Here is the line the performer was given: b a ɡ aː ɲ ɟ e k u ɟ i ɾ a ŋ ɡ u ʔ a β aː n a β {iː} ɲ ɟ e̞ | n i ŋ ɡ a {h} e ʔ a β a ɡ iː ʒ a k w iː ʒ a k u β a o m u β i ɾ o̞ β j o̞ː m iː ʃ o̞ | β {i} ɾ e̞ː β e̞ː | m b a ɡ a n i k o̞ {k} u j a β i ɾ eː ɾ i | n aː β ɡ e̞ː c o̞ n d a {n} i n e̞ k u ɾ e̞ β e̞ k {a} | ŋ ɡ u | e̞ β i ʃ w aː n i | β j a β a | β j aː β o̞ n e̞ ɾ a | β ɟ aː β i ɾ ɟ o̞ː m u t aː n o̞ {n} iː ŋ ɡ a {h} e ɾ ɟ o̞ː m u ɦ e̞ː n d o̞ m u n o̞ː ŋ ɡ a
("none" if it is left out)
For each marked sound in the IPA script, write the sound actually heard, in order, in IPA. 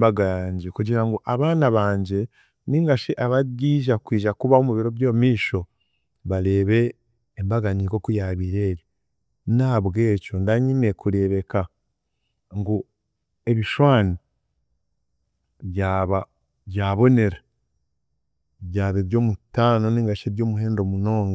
aː, ʃ, a, k, ɲ, a, n, ʃ

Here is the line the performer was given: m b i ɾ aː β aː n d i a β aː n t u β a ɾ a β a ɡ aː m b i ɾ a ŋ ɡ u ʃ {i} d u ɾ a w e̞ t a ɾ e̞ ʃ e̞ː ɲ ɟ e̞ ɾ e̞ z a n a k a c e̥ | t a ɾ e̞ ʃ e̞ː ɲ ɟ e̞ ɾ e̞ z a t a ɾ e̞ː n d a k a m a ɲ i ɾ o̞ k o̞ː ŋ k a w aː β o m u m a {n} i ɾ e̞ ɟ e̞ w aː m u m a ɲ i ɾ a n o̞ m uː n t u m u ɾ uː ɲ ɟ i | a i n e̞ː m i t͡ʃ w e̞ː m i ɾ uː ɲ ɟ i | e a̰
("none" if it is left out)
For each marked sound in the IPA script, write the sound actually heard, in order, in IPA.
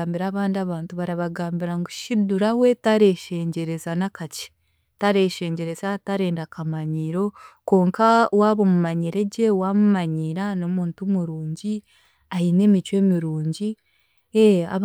i, ɲ

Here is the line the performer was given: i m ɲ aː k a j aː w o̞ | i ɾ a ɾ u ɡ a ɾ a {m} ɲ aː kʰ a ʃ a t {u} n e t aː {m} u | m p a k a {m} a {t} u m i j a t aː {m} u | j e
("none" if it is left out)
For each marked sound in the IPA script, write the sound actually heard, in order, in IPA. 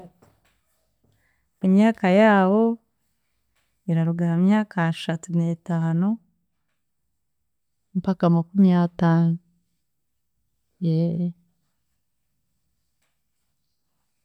m, u, n, m, k, n

